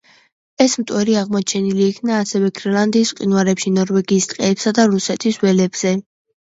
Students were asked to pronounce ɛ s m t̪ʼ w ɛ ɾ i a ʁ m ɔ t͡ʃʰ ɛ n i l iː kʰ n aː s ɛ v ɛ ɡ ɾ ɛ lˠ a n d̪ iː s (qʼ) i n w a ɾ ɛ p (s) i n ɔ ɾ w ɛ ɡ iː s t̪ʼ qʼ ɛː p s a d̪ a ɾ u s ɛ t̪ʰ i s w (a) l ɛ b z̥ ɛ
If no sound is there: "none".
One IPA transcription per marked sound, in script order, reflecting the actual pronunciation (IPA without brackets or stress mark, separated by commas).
qʼ, ʃ, ɛ